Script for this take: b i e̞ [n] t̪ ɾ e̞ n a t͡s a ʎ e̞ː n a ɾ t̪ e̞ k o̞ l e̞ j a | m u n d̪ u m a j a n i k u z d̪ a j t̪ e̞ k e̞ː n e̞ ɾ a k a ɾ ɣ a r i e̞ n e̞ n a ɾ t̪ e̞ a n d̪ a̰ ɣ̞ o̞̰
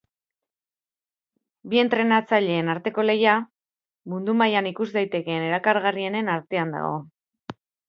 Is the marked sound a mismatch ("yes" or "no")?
no